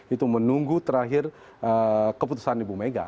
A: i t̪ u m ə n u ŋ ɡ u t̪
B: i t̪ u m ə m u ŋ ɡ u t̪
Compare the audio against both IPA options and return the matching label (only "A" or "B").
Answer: A